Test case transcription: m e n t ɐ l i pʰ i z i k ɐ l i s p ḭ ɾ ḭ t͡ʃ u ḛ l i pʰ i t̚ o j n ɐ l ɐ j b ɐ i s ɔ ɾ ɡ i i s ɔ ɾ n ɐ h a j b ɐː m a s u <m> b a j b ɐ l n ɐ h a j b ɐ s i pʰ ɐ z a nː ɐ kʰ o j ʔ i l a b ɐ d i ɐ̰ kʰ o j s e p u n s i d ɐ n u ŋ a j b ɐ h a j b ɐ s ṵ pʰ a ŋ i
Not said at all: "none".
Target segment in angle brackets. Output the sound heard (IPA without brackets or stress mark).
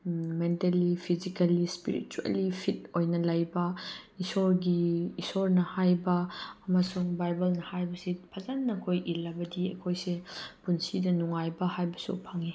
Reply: ŋ